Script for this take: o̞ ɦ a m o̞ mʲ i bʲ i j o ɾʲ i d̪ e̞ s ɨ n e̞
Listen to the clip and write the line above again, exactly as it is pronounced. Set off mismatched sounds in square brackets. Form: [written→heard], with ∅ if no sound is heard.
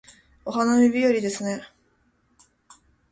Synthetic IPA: o̞ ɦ a [m→n] o̞ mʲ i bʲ i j o ɾʲ i d̪ e̞ s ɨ n e̞